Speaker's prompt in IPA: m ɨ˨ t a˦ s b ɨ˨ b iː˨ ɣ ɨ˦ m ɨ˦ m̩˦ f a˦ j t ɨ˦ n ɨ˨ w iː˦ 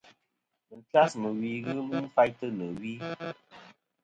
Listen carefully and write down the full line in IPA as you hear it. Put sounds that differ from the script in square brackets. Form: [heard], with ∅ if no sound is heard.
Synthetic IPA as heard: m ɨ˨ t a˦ s [m] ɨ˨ [w] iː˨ ɣ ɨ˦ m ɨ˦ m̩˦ f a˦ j t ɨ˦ n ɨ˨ w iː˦